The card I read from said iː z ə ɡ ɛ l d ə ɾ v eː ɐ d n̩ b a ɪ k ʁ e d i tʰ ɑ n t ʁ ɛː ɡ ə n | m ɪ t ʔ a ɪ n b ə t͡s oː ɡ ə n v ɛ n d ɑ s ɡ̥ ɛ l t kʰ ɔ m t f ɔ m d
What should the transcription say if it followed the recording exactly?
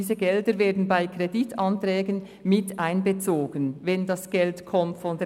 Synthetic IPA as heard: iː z ə ɡ ɛ l d ə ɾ v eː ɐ d n̩ b a ɪ k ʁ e d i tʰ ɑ n t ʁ ɛː ɡ ə n | m ɪ t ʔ a ɪ n b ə t͡s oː ɡ ə n v ɛ n d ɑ s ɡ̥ ɛ l t kʰ ɔ m t f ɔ n d